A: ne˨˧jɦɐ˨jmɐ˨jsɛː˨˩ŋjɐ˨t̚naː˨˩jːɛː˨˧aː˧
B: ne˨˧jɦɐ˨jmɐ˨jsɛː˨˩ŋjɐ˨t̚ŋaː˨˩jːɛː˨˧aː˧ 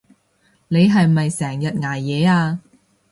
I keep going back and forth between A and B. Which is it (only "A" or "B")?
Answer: B